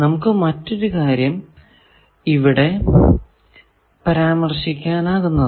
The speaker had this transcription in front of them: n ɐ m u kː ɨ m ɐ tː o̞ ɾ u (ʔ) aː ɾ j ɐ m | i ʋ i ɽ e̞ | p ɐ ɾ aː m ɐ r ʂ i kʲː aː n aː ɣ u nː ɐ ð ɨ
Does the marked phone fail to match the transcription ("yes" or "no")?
yes